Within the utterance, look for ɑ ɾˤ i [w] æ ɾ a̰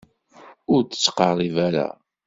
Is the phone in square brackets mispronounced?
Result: yes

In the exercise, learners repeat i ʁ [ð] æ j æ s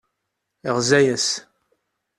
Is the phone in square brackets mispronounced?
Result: yes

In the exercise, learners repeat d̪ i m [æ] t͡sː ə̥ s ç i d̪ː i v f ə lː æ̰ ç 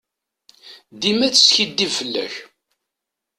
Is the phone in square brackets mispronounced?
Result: no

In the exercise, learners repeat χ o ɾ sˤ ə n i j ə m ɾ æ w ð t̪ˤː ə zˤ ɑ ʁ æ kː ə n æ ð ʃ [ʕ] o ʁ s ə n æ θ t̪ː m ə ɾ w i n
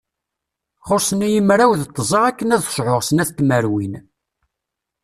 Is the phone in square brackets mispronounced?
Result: no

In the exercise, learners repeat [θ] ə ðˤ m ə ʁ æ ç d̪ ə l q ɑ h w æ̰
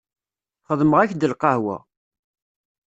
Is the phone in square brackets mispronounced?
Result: yes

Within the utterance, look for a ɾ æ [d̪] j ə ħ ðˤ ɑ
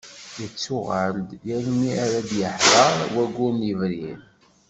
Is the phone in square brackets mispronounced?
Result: no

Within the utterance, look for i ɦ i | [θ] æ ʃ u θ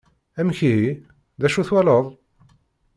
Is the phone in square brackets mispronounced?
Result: yes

